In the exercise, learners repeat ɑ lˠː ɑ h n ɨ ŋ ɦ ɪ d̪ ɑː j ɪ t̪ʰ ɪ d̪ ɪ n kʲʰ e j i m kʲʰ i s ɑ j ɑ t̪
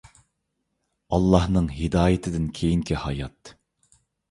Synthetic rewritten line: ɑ lˠː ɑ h n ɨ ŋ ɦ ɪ d̪ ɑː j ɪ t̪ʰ ɪ d̪ ɪ n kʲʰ e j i ŋ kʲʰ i h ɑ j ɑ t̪

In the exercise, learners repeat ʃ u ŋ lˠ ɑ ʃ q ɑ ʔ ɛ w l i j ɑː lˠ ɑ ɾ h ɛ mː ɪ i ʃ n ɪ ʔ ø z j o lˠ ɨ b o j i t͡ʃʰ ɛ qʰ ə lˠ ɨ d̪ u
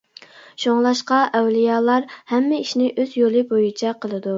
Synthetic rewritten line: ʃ o ŋ lˠ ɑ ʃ q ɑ ʔ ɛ w l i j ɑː lˠ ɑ ɾ h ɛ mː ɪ i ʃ n ɪ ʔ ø z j o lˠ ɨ b o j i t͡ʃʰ ɛ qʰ ə lˠ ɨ d̪ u

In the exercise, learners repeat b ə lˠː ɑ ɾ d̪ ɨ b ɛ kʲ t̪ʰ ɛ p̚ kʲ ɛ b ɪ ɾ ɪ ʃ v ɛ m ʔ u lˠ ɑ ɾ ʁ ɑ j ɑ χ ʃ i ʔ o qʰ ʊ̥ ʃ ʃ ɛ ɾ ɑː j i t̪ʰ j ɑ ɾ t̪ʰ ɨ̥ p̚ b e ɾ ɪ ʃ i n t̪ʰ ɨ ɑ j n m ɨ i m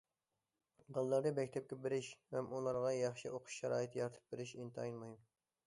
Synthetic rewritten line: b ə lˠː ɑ ɾ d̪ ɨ b ɛ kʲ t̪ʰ ɛ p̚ kʲ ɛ b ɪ ɾ ɪ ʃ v ɛ m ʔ u lˠ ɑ ɾ ʁ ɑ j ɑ χ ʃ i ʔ o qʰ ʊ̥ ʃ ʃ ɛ ɾ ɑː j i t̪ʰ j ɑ ɾ t̪ʰ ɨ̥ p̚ b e ɾ ɪ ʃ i n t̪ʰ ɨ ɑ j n m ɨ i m

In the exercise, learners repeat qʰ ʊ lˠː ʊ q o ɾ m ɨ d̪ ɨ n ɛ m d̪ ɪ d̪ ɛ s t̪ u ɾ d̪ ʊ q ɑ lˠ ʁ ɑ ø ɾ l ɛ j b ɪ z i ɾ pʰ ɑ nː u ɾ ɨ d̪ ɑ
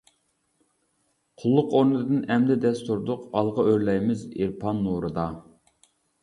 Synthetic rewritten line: qʰ ʊ lˠː ʊ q o ɾ n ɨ d̪ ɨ n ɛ m d̪ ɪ d̪ ɛ s t̪ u ɾ d̪ ʊ q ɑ lˠ ʁ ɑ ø ɾ l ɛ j m ɪ z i ɾ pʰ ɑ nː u ɾ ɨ d̪ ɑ

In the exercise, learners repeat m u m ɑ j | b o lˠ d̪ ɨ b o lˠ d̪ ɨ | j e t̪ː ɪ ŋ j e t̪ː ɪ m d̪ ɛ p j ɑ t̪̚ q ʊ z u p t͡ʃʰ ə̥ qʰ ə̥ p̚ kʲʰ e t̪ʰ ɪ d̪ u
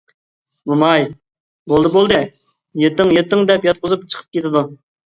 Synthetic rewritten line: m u m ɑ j | b o lˠ d̪ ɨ b o lˠ d̪ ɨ | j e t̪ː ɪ ŋ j e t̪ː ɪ ŋ d̪ ɛ p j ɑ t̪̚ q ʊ z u p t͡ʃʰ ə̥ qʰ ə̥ p̚ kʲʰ e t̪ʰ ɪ d̪ u

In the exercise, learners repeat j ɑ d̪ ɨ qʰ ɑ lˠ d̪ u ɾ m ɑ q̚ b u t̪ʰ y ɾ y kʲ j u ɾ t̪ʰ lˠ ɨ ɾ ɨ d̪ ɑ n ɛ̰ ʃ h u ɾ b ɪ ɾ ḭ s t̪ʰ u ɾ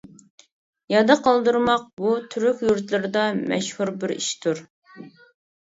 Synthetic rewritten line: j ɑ d̪ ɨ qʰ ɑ lˠ d̪ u ɾ m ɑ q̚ b u t̪ʰ y ɾ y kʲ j u ɾ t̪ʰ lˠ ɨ ɾ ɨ d̪ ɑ m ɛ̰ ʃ h u ɾ b ɪ ɾ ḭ ʃ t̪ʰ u ɾ

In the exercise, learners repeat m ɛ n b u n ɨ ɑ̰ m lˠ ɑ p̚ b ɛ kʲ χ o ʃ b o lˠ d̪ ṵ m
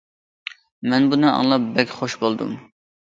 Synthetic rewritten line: m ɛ n b u n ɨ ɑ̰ ŋ lˠ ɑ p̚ b ɛ kʲ χ o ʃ b o lˠ d̪ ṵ m

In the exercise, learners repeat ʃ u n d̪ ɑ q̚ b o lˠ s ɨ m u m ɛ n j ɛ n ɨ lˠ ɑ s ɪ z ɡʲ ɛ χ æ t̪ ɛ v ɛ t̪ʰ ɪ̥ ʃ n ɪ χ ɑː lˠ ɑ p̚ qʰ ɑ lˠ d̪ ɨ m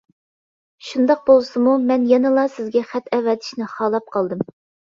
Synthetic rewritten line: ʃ u n d̪ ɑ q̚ b o lˠ s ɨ m u m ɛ n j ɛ n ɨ lˠ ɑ s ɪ z ɡʲ ɛ χ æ t̪ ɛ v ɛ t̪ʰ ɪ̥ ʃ n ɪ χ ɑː lˠ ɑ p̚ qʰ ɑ lˠ d̪ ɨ m

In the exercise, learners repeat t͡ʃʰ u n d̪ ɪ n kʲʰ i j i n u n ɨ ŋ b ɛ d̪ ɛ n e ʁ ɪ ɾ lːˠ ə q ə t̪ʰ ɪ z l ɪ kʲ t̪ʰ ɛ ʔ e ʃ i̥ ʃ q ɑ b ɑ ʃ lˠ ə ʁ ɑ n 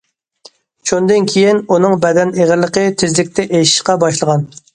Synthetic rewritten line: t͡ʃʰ u n d̪ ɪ n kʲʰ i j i n u n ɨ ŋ b ɛ d̪ ɛ n e ʁ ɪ ɾ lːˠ ə q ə t̪ʰ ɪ z l ɪ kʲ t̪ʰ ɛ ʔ e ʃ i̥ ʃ q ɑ b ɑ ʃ lˠ ə ʁ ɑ n

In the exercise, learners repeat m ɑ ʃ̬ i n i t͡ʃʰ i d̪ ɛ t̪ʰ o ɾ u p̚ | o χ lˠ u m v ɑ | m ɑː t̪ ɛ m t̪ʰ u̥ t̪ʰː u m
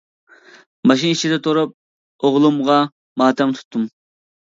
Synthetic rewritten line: m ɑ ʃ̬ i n i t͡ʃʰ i d̪ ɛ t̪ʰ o ɾ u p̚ | o ʁ lˠ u m ʁ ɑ | m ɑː t̪ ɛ m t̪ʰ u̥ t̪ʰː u m

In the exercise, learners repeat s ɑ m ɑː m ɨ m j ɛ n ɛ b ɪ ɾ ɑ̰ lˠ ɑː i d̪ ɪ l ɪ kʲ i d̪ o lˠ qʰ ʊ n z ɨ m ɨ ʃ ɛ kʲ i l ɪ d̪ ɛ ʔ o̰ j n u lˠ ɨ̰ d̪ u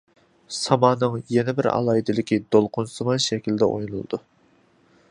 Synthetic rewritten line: s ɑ m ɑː n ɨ ŋ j ɛ n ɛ b ɪ ɾ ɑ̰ lˠ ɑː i d̪ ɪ l ɪ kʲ i d̪ o lˠ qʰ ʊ n s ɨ m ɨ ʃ ɛ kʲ i l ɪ d̪ ɛ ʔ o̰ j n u lˠ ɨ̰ d̪ u

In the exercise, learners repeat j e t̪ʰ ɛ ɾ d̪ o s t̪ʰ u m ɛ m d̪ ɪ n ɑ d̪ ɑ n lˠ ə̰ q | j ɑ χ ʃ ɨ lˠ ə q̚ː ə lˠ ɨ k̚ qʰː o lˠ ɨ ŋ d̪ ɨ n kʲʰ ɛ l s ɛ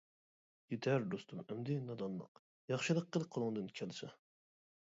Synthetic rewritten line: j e t̪ʰ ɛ ɾ d̪ o s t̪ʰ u m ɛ m d̪ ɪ n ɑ d̪ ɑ n lˠ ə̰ q | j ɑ χ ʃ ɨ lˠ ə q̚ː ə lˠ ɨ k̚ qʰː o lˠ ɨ ŋ d̪ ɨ n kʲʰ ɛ l s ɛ

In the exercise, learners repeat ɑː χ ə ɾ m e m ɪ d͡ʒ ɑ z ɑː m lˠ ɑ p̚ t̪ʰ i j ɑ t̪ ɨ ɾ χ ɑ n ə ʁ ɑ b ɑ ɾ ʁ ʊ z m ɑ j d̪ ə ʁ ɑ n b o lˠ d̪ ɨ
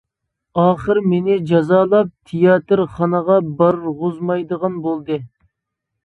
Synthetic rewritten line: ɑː χ ə ɾ m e n ɪ d͡ʒ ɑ z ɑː lˠ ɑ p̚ t̪ʰ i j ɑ t̪ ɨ ɾ χ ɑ n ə ʁ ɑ b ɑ ɾ ʁ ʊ z m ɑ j d̪ ə ʁ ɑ n b o lˠ d̪ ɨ

